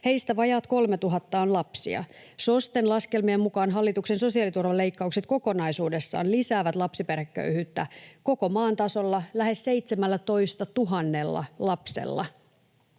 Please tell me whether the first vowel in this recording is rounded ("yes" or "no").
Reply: no